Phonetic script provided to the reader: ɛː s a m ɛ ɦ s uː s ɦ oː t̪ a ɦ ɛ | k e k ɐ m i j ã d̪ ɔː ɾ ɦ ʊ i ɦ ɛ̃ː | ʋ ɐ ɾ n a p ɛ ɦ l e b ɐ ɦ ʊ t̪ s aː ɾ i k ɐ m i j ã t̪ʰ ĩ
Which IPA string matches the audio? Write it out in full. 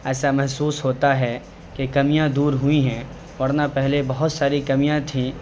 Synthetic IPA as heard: ɛː s a m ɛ ɦ s uː s ɦ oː t̪ a ɦ ɛ | k e k ɐ m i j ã d̪ uː ɾ ɦ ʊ i ɦ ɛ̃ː | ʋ ɐ ɾ n a p ɛ ɦ l e b ɐ ɦ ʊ t̪ s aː ɾ i k ɐ m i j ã t̪ʰ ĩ